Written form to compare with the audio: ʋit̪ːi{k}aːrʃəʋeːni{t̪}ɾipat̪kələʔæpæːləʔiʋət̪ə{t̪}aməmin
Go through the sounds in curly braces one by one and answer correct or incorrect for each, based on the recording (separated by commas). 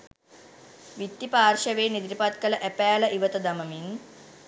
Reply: incorrect, incorrect, incorrect